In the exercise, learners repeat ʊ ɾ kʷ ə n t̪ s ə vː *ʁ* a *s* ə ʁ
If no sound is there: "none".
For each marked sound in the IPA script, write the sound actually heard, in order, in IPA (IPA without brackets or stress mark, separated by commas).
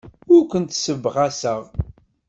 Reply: ʁ, s